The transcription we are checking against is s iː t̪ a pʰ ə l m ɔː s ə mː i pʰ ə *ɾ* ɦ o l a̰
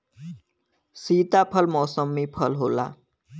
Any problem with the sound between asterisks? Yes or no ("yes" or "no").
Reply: yes